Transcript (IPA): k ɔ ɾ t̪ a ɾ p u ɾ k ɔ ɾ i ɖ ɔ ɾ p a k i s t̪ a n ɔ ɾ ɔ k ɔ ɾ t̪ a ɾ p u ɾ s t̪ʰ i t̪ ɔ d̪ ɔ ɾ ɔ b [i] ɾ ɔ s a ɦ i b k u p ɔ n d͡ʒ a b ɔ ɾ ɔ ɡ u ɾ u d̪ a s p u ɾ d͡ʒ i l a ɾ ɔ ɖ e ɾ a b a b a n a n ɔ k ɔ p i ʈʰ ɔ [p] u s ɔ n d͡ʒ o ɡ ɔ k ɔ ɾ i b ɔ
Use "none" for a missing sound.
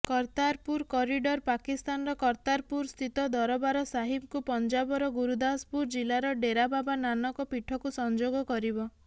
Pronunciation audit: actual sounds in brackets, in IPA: a, k

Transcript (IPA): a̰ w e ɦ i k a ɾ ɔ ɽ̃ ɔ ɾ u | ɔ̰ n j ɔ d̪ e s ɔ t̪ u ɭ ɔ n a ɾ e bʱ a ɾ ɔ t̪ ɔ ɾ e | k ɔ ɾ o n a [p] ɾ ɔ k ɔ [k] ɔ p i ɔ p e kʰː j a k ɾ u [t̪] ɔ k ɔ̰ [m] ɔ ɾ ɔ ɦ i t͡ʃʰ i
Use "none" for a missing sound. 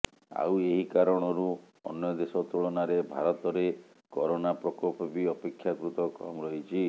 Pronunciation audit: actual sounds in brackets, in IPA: p, p, t̪, m

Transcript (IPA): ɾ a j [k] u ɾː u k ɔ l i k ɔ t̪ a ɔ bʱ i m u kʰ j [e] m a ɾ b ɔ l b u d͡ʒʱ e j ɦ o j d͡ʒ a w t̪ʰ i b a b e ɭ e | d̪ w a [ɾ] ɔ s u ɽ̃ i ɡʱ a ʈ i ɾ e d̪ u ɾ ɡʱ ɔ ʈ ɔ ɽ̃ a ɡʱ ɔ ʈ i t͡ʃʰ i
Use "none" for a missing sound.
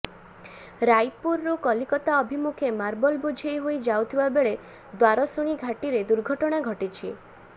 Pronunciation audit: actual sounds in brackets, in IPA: p, e, ɾ

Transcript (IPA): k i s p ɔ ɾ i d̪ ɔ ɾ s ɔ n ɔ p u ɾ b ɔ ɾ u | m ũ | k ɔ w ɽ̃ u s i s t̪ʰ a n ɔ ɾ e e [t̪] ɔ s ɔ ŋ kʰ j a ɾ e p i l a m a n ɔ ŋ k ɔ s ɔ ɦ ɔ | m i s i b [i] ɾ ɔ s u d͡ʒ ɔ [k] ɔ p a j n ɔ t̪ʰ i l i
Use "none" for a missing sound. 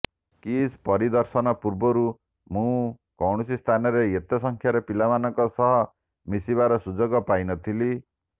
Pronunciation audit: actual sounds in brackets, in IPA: t̪, a, ɡ

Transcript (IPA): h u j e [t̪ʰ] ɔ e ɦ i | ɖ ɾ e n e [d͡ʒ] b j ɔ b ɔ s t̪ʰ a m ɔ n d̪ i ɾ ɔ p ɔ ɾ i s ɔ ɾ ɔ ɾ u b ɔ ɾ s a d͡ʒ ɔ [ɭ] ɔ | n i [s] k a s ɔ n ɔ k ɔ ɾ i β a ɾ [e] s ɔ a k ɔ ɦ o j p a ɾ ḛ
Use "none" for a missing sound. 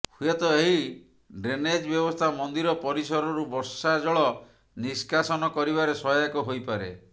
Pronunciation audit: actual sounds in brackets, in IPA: t̪, d͡ʒ, ɭ, s, e

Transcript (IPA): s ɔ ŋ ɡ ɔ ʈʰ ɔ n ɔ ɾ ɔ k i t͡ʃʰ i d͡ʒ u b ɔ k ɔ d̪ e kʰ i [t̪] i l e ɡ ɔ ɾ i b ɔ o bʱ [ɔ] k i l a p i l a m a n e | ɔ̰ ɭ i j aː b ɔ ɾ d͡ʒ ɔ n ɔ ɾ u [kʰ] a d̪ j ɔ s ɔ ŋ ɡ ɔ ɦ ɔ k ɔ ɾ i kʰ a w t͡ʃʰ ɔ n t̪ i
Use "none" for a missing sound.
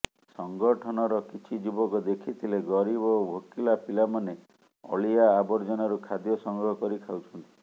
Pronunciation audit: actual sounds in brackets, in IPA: t̪ʰ, o, kʰ

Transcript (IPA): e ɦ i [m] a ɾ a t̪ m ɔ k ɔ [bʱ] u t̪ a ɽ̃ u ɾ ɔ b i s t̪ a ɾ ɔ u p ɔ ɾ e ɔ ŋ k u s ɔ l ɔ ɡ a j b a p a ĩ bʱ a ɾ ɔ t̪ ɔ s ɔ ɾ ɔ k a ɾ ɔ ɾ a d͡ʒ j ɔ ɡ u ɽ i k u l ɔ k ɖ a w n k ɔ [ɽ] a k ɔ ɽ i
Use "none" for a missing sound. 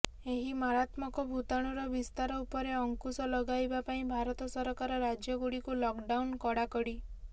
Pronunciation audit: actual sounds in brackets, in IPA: m, bʱ, ɽ

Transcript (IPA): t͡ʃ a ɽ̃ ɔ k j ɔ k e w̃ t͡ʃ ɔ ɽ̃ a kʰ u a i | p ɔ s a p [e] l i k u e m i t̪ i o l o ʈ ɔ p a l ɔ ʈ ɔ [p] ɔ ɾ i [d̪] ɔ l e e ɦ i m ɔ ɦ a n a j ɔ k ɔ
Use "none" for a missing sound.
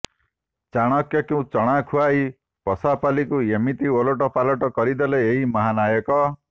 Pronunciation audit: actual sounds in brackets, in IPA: a, k, d̪

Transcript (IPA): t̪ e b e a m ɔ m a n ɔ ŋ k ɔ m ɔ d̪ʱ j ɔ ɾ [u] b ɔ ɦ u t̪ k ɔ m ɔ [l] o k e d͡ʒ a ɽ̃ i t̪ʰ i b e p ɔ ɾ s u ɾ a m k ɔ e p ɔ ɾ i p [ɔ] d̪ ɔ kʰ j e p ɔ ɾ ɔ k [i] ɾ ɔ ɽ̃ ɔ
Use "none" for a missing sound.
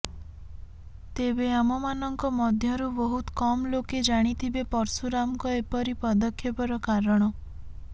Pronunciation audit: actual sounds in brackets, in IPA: u, l, ɔ, a

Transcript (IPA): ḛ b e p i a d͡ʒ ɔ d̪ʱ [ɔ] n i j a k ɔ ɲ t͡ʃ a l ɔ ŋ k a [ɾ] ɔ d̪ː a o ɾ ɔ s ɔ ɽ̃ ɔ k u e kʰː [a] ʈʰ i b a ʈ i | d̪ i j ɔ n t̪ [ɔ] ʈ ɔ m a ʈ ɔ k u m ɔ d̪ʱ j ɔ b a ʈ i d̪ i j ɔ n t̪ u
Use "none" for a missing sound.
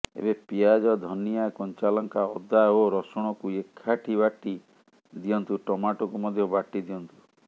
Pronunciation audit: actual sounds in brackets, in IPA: ɔ, none, a, u

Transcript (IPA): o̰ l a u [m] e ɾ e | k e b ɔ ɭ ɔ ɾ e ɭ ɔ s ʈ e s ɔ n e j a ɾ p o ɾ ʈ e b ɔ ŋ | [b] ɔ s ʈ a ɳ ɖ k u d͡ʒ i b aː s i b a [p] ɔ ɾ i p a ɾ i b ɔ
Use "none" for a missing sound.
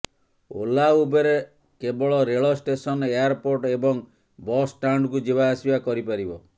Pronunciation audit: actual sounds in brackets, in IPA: b, b, k

